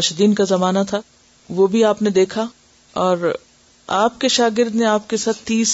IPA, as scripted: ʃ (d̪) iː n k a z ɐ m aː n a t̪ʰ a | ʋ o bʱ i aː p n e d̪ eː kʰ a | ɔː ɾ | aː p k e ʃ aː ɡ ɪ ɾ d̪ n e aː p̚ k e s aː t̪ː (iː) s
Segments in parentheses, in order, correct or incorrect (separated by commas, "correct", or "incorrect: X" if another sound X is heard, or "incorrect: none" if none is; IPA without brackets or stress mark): correct, correct